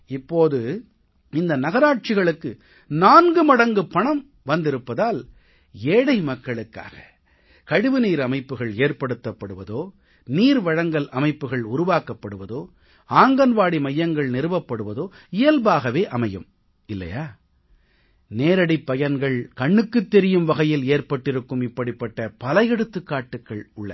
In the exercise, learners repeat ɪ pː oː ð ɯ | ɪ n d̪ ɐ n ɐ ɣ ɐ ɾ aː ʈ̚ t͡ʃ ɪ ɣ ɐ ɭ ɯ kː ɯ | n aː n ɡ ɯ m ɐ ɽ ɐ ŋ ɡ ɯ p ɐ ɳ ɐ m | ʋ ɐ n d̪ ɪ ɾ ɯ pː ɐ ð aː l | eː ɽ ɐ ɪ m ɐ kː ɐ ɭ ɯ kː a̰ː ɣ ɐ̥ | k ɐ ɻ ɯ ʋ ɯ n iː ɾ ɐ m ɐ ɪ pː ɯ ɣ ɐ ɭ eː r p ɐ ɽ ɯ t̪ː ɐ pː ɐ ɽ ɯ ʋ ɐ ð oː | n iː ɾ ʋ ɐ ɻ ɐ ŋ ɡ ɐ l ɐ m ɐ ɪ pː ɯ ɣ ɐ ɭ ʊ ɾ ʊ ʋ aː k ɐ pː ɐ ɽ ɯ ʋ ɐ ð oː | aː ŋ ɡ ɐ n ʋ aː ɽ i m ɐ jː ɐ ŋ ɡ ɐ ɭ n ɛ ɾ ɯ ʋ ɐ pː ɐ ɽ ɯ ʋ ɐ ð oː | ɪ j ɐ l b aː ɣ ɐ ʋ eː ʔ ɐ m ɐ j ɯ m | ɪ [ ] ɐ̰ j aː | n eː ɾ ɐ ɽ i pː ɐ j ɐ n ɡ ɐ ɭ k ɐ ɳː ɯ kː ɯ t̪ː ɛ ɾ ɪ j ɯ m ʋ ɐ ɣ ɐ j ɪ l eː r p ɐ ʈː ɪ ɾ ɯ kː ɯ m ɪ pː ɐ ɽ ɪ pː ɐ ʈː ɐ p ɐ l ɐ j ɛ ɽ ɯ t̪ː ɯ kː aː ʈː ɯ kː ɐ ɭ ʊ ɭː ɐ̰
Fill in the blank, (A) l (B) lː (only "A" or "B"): B